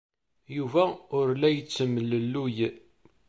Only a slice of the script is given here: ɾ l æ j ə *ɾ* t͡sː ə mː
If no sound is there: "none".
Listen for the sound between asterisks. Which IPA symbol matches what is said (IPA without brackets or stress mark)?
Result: none